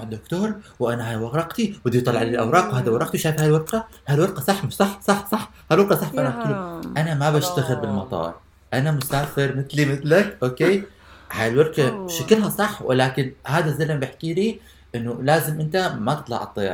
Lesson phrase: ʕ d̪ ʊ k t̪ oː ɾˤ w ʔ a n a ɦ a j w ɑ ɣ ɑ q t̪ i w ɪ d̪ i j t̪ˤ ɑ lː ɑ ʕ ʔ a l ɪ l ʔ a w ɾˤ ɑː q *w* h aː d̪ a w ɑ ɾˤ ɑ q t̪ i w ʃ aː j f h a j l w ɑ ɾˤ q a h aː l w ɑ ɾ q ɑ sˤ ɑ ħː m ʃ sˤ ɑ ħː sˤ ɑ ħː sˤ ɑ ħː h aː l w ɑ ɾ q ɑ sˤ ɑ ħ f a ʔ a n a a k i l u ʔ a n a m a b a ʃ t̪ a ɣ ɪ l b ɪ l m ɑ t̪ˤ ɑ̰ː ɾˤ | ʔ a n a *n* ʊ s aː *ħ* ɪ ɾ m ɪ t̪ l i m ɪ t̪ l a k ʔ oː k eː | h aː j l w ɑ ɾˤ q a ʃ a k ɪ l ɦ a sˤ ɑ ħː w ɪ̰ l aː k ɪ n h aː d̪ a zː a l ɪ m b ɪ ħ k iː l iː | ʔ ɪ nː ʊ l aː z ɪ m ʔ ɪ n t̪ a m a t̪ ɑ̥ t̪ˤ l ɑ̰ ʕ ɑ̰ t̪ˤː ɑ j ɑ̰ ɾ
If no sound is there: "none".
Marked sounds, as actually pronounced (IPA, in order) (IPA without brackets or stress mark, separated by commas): w, m, f